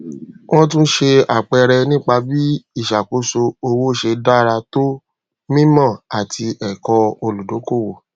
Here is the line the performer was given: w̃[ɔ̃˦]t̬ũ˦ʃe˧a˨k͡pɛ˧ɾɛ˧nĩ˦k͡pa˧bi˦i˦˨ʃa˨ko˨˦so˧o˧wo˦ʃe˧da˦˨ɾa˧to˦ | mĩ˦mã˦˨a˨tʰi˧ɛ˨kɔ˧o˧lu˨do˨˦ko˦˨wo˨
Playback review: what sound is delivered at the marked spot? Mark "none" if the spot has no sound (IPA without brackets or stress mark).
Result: ɔ̃˦